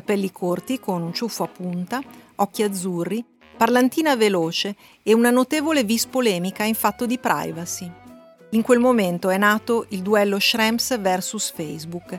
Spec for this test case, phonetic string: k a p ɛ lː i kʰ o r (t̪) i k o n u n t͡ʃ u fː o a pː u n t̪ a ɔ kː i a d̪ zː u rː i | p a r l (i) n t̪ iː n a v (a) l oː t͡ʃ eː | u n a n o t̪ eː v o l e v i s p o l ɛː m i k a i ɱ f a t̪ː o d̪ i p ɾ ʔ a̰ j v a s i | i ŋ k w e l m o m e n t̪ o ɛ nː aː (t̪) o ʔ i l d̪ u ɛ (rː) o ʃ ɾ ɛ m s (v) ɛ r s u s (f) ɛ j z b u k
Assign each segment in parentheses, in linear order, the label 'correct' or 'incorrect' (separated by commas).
correct, incorrect, incorrect, correct, incorrect, correct, correct